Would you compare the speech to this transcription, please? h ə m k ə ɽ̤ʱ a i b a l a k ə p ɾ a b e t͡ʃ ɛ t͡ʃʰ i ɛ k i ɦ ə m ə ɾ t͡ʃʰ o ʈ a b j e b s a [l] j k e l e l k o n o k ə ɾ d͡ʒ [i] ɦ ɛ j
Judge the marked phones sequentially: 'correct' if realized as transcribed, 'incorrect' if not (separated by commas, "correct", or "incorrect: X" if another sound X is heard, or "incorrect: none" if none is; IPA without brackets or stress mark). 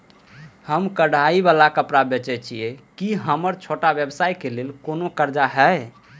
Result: incorrect: none, incorrect: a